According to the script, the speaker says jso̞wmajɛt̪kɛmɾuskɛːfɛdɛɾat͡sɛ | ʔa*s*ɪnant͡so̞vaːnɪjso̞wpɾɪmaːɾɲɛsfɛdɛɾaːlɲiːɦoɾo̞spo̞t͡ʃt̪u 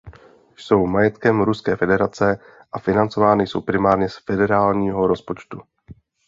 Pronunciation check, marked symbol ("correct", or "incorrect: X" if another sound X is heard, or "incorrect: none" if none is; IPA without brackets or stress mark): incorrect: f